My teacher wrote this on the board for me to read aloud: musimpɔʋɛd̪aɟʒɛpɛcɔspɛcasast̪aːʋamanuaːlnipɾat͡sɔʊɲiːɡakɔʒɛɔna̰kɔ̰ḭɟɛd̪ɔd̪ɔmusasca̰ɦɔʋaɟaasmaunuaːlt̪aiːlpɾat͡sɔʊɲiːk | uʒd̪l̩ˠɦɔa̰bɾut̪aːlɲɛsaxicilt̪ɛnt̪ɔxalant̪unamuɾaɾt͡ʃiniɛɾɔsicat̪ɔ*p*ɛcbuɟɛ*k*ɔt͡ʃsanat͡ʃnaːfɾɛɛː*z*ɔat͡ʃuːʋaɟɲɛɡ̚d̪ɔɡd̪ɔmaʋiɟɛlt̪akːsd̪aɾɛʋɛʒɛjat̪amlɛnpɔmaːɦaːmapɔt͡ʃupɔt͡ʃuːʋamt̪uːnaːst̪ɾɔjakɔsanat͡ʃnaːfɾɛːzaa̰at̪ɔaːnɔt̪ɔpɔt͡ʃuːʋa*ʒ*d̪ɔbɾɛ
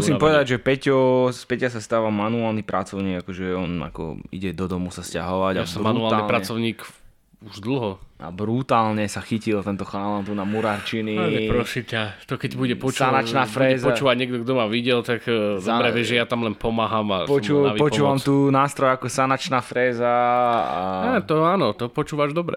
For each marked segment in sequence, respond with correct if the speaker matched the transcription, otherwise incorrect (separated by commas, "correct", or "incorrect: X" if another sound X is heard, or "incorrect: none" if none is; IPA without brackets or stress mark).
incorrect: k, incorrect: p, correct, correct